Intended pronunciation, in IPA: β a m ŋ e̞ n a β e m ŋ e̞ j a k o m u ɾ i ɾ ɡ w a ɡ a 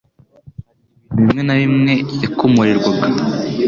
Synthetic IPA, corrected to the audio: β i m ŋ e̞ n a β i m ŋ e̞ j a k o m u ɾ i ɾ ɡ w a ɡ a